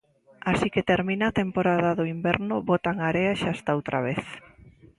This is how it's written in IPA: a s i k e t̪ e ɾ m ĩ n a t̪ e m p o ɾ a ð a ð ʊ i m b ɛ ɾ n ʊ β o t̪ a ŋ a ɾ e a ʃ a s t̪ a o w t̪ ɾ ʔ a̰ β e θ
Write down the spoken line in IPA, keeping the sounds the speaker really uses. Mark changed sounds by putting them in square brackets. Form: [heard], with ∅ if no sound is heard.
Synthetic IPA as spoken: a s i k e t̪ e ɾ m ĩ n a t̪ e m p o ɾ a ð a ð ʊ i m b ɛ ɾ n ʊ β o t̪ a ŋ a ɾ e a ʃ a s t̪ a o w t̪ ɾ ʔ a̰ β e θ